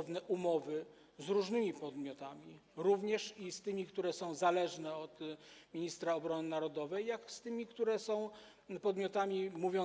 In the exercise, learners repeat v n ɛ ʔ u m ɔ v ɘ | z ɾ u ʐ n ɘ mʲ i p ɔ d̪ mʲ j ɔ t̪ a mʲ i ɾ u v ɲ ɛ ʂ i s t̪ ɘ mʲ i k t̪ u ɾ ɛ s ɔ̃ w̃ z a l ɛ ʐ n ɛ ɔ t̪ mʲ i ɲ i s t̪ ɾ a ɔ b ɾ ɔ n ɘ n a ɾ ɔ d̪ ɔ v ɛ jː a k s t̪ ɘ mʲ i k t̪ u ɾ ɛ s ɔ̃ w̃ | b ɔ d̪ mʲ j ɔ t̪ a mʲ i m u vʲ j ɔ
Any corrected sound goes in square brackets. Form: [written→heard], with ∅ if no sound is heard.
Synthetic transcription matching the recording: v n ɛ ʔ u m ɔ v ɘ | z ɾ u ʐ n ɘ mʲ i p ɔ d̪ mʲ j ɔ t̪ a mʲ i ɾ u v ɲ ɛ ʂ i s t̪ ɘ mʲ i k t̪ u ɾ ɛ s ɔ̃ w̃ z a l ɛ ʐ n ɛ ɔ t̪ mʲ i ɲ i s t̪ ɾ a ɔ b ɾ ɔ n ɘ n a ɾ ɔ d̪ ɔ v ɛ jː a k s t̪ ɘ mʲ i k t̪ u ɾ ɛ s ɔ̃ w̃ | [b→p] ɔ d̪ mʲ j ɔ t̪ a mʲ i m u vʲ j ɔ